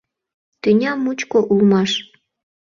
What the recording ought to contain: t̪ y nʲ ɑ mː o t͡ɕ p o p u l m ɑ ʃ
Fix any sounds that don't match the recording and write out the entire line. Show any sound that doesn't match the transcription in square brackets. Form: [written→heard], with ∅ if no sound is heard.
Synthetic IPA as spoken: t̪ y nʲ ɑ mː [o→u] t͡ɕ [p→k] o [p→ʔ] u l m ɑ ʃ